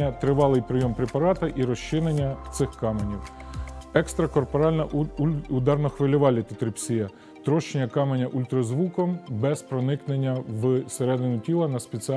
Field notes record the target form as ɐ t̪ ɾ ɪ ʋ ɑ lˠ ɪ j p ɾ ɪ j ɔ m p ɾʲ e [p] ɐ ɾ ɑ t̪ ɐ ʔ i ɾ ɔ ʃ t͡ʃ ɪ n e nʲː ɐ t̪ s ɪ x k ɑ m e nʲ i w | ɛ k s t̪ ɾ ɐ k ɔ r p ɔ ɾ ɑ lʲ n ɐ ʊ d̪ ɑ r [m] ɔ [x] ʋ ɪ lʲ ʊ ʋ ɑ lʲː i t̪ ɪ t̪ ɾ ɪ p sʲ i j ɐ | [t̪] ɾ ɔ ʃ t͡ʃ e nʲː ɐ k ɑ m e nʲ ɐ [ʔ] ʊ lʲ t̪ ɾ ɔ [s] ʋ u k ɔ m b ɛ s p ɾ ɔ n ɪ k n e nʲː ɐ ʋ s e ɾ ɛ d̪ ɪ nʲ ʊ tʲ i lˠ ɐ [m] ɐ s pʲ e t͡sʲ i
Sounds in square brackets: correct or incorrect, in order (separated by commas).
correct, incorrect, correct, correct, correct, incorrect, incorrect